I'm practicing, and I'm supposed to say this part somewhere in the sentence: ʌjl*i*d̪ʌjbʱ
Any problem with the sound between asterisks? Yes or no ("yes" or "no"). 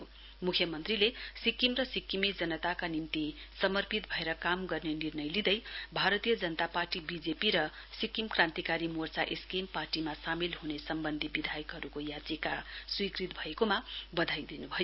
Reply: no